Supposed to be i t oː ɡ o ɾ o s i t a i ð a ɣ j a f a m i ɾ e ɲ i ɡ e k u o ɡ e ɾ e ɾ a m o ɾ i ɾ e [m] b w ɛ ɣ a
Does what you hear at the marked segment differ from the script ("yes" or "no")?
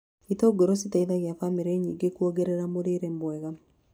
no